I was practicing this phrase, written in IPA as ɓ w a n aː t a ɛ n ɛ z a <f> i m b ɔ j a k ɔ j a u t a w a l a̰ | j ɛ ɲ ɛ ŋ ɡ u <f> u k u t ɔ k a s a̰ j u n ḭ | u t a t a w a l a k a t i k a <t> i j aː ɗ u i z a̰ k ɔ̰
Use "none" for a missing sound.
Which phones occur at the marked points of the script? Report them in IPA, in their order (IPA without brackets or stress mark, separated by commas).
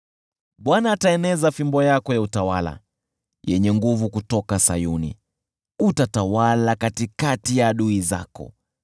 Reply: f, v, t